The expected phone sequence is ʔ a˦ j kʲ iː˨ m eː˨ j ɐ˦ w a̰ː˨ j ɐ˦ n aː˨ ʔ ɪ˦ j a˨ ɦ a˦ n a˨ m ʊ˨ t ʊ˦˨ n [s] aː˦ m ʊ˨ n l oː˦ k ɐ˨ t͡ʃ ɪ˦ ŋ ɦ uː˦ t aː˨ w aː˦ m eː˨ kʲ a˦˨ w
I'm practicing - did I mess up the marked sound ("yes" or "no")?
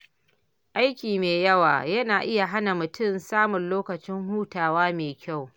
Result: no